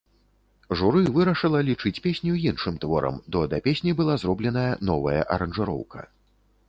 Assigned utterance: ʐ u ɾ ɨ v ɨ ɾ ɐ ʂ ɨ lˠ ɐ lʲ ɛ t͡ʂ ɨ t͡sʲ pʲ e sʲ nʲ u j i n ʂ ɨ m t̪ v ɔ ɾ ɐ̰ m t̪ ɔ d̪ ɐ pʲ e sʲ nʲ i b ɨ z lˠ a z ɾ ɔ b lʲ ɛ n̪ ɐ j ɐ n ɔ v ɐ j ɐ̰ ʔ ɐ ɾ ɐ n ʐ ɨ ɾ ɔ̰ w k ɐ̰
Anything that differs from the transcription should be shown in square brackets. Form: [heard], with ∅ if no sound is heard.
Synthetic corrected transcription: ʐ u ɾ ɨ v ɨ ɾ ɐ ʂ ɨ lˠ ɐ lʲ [i] t͡ʂ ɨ t͡sʲ pʲ e sʲ nʲ u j i n ʂ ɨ m t̪ v ɔ ɾ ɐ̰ m [d̪] ɔ d̪ ɐ pʲ e sʲ nʲ i b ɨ [∅] lˠ a z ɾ ɔ b lʲ ɛ n̪ ɐ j ɐ n ɔ v ɐ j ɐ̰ ʔ ɐ ɾ ɐ n ʐ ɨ ɾ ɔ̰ w k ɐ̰

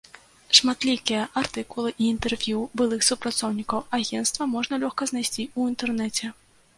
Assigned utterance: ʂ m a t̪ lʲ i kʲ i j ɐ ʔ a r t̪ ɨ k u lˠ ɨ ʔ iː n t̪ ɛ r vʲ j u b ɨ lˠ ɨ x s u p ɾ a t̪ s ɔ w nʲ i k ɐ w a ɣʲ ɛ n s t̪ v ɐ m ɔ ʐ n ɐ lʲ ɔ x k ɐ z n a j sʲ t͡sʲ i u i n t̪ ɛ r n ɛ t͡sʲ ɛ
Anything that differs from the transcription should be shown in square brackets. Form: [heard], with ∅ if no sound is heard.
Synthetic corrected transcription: ʂ m a t̪ lʲ i kʲ i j ɐ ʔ a r t̪ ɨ k u lˠ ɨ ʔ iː n t̪ ɛ r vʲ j u b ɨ lˠ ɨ x s u p ɾ a t̪ s ɔ w nʲ i k ɐ w a ɣʲ ɛ n s t̪ v ɐ m ɔ ʐ n ɐ lʲ ɔ x k ɐ z n a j sʲ t͡sʲ i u i n t̪ ɛ r n ɛ t͡sʲ ɛ

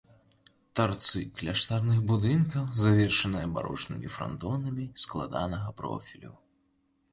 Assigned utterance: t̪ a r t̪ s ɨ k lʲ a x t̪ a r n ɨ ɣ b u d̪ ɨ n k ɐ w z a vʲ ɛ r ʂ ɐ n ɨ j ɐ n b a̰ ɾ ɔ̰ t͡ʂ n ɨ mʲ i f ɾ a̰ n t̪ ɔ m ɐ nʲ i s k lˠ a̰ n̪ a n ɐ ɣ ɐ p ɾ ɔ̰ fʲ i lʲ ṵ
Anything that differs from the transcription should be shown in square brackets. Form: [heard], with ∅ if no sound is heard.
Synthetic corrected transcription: t̪ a r t̪ s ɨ k lʲ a [ʂ] t̪ a r n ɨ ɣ b u d̪ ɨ n k ɐ w z a vʲ ɛ r ʂ ɐ n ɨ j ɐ [∅] b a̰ ɾ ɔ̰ t͡ʂ n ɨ mʲ i f ɾ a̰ n t̪ ɔ [n] ɐ [mʲ] i s k lˠ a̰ [d̪] a n ɐ ɣ ɐ p ɾ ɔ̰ fʲ i lʲ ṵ

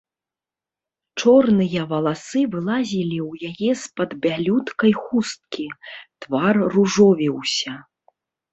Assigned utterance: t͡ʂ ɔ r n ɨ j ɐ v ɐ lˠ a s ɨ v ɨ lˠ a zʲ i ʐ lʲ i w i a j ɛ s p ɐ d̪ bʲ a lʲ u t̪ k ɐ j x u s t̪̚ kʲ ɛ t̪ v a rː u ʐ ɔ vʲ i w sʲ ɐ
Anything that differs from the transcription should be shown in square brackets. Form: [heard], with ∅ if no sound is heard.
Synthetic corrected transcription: t͡ʂ ɔ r n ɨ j ɐ v ɐ lˠ a s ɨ v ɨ lˠ a zʲ i [∅] lʲ i w [j] a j ɛ s p ɐ d̪ bʲ a lʲ u t̪ k ɐ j x u s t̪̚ kʲ [i] t̪ v a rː u ʐ ɔ vʲ i w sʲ ɐ

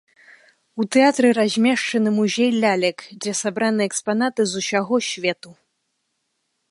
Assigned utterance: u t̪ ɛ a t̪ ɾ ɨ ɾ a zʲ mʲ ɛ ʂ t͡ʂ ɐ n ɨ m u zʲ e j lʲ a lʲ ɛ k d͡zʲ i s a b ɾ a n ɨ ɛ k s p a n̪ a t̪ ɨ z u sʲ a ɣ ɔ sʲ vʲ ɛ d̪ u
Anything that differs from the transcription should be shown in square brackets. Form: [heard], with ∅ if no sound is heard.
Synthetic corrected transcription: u t̪ ɛ a t̪ ɾ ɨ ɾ a zʲ mʲ ɛ ʂ t͡ʂ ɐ n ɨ m u zʲ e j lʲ a lʲ ɛ k d͡zʲ [ɛ] s a b ɾ a n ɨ ɛ k s p a n̪ a t̪ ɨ z u sʲ a ɣ ɔ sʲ vʲ ɛ [t̪] u

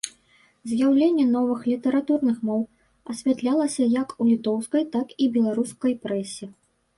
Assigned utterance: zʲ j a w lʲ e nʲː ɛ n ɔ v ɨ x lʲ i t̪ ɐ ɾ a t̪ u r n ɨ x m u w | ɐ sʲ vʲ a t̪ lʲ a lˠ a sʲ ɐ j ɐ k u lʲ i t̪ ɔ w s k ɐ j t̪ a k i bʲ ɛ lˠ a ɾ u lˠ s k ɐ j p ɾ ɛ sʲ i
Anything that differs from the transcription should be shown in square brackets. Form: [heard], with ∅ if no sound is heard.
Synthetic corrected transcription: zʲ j a w lʲ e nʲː ɛ n ɔ v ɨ x lʲ i t̪ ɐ ɾ a t̪ u r n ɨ x m [ɔ] w | ɐ sʲ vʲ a t̪ lʲ a lˠ [ɐ] sʲ ɐ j ɐ k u lʲ i t̪ ɔ w s k ɐ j t̪ a k i bʲ ɛ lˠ a ɾ u [∅] s k ɐ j p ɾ ɛ sʲ i

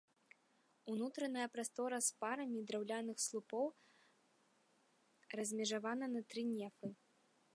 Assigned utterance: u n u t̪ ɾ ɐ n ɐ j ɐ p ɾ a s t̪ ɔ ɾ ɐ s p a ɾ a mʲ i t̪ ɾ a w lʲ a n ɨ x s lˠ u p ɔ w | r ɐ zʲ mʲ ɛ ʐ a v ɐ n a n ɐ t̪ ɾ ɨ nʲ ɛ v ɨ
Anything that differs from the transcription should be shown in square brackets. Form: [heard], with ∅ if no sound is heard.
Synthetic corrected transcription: u n u t̪ ɾ ɐ n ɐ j ɐ p ɾ a s t̪ ɔ ɾ ɐ s p a ɾ [ɐ] mʲ i [d̪] ɾ a w lʲ a n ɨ x s lˠ u p ɔ w | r ɐ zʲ mʲ ɛ ʐ a v [a] n [ɐ] n ɐ t̪ ɾ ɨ nʲ ɛ [f] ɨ

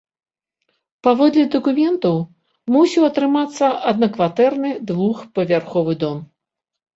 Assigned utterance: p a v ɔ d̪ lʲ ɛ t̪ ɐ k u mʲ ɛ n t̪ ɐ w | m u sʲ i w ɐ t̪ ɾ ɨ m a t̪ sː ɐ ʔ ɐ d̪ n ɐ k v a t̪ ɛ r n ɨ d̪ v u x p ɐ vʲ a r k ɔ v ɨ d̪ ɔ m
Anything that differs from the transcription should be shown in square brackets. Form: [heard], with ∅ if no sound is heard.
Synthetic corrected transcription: p a v ɔ d̪ lʲ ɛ [d̪] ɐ k u mʲ ɛ n t̪ ɐ w | m u sʲ i w ɐ t̪ ɾ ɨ m a t̪ sː ɐ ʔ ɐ d̪ n ɐ k v a t̪ ɛ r n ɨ d̪ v u x p ɐ vʲ a r [x] ɔ v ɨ d̪ ɔ m

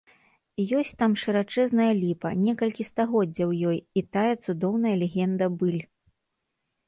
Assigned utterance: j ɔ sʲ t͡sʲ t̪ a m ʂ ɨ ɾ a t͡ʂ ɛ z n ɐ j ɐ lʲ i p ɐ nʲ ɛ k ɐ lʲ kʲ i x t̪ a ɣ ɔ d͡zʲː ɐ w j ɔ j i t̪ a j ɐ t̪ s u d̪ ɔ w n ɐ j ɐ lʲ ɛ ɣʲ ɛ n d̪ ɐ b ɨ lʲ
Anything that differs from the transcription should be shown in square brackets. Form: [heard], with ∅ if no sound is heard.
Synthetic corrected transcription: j ɔ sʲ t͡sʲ t̪ a m ʂ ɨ ɾ a t͡ʂ ɛ z n ɐ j ɐ lʲ i p ɐ nʲ ɛ k ɐ lʲ kʲ i [s] t̪ a ɣ ɔ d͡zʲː ɐ w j ɔ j i t̪ a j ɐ t̪ s u d̪ ɔ w n ɐ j ɐ lʲ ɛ ɣʲ ɛ n d̪ ɐ b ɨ lʲ

